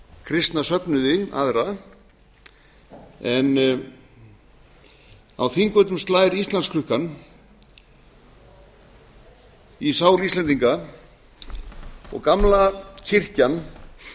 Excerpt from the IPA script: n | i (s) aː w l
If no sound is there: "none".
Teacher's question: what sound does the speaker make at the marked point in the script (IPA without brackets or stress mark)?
s